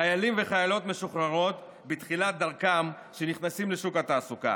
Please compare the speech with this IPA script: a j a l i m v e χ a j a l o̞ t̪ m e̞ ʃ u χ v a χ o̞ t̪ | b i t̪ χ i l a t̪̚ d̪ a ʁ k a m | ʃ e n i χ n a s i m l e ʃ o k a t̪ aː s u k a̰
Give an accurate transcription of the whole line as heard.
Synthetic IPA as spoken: a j a l i m v e χ a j a l o̞ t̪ m e̞ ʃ u χ ʁ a ʁ o̞ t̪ | b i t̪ χ i l a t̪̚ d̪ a ʁ k a m | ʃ e n i χ n a s i m l e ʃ u k a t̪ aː s u k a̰